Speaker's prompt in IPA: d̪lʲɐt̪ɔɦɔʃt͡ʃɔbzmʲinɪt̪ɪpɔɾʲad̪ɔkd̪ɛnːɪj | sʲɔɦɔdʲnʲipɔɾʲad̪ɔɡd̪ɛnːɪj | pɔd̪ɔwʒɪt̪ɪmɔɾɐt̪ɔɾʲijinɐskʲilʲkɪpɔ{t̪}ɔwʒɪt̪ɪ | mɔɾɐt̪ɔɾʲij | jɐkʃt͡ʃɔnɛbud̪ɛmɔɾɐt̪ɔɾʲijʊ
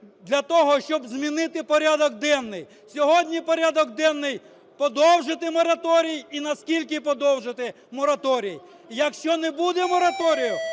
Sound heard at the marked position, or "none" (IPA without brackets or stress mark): d̪